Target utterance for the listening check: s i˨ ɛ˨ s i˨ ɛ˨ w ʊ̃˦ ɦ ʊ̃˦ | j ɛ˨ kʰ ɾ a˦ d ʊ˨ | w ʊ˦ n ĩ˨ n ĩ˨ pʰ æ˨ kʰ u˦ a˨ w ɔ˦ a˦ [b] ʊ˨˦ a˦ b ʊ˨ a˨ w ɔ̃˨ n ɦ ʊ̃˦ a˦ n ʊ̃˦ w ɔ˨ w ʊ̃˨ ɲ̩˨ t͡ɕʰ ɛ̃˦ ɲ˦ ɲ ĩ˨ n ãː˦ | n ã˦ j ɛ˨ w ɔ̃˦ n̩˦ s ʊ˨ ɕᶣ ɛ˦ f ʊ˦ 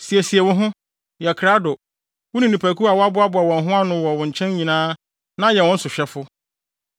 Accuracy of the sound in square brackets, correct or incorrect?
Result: correct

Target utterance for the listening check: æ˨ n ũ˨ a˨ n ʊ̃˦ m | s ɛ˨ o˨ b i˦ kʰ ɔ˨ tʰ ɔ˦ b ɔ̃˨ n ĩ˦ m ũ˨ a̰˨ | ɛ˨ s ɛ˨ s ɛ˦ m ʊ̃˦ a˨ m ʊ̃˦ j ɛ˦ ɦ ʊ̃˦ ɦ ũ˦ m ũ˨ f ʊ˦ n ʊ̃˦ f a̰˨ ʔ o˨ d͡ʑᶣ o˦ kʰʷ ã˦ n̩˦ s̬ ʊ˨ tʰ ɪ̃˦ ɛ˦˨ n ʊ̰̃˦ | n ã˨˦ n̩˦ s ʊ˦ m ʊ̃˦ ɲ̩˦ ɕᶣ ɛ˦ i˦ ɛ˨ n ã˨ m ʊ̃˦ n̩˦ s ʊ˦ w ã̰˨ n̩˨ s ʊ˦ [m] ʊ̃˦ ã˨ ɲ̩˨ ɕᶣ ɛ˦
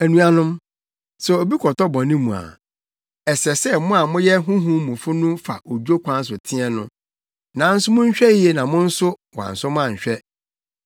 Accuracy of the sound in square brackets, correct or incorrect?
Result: correct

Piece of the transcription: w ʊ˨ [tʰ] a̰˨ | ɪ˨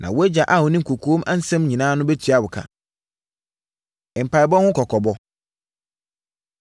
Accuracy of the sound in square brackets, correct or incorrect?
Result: incorrect: kʰ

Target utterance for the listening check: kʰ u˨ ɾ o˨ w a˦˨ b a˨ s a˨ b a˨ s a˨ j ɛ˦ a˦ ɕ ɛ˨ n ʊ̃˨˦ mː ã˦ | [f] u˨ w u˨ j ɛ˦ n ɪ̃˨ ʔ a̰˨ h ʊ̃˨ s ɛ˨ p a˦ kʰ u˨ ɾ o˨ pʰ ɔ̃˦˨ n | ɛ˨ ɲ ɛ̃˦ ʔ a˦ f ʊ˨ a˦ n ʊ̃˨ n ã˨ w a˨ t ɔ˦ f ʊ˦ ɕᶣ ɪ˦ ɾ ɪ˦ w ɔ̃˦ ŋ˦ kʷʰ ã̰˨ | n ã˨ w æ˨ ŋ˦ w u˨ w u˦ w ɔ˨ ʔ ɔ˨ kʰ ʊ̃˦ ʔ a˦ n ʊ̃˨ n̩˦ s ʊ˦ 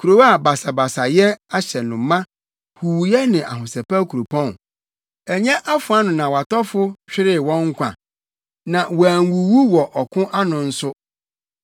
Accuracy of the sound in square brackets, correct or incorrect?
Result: incorrect: h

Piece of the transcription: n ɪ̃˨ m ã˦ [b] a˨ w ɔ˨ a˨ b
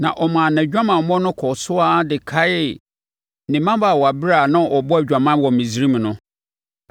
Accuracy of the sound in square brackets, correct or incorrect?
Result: correct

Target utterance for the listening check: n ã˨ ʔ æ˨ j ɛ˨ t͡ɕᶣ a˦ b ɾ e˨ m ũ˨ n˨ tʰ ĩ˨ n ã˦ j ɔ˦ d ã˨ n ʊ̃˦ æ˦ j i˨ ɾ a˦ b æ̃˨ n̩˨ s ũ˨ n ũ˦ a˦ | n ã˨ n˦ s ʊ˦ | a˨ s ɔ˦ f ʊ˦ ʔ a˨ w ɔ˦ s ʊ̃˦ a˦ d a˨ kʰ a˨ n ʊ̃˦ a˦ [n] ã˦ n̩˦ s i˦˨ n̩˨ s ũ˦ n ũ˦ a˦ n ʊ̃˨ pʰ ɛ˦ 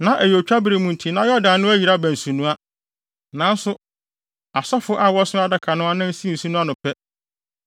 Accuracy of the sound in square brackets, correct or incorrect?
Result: correct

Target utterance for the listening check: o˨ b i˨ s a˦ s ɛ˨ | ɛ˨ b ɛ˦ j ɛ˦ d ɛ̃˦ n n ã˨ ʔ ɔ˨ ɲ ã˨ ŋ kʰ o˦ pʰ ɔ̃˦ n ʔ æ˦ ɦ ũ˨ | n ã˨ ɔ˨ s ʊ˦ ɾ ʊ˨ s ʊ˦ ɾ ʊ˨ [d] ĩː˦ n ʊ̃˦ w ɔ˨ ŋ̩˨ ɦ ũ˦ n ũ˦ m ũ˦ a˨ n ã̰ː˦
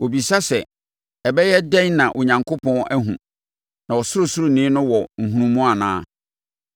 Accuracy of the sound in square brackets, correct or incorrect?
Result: incorrect: n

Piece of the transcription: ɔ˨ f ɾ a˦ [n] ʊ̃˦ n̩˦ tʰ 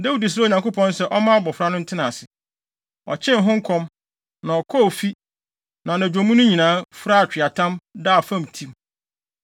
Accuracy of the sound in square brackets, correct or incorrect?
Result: correct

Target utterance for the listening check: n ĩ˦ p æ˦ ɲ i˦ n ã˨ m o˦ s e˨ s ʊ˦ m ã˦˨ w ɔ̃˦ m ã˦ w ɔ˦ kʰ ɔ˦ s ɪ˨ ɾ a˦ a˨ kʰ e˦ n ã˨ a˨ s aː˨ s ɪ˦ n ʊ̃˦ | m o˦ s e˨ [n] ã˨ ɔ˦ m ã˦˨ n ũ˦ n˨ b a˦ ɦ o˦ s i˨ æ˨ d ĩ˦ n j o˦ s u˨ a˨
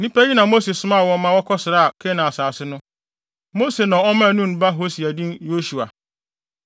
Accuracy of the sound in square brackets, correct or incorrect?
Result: correct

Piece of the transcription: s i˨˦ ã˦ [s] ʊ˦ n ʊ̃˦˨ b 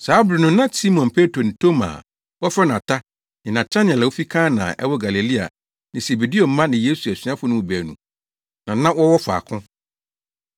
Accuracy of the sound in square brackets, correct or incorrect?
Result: incorrect: f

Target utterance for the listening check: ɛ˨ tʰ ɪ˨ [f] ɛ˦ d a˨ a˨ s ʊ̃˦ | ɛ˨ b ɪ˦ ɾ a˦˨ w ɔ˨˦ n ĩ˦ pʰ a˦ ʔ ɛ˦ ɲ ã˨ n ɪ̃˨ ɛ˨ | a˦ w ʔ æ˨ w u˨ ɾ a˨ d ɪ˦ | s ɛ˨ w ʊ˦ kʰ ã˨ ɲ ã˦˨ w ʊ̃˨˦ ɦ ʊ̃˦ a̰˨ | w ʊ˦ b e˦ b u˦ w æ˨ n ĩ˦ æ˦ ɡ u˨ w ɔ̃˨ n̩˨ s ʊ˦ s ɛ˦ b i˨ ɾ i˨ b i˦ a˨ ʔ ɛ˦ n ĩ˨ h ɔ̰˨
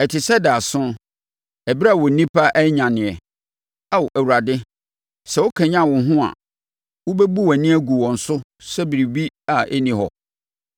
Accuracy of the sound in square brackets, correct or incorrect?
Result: incorrect: s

